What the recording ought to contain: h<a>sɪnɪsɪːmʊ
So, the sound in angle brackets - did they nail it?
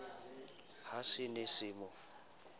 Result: yes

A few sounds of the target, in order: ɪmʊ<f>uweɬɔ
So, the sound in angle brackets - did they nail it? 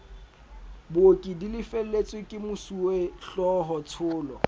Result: no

